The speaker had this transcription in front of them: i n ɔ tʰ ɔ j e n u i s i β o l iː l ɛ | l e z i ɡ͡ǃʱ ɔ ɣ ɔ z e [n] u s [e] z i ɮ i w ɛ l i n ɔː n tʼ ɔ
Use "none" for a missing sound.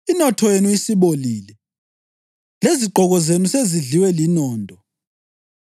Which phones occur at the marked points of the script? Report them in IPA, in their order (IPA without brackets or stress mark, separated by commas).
n, e